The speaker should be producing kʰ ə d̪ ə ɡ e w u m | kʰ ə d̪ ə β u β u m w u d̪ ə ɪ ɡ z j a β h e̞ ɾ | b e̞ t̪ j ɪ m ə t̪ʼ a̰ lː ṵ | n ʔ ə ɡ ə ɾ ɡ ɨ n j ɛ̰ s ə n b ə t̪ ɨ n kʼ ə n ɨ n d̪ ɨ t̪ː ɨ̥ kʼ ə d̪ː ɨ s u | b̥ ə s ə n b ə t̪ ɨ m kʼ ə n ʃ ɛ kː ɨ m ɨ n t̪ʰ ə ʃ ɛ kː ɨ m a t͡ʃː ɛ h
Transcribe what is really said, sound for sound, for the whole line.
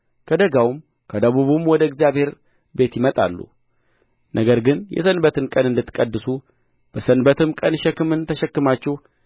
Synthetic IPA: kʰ ə d̪ ə ɡ a w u m | kʰ ə d̪ ə β u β u m w ɔ d̪ ə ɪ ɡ z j a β h e̞ ɾ | b e̞ t̪ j ɪ m ə t̪ʼ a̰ lː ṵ | n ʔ ə ɡ ə ɾ ɡ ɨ n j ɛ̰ s ə n b ə t̪ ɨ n kʼ ə n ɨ n d̪ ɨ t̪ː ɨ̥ kʼ ə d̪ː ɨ s u | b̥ ə s ə n b ə t̪ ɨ m kʼ ə n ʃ ɛ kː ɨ m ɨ n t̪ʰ ə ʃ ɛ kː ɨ m a t͡ʃː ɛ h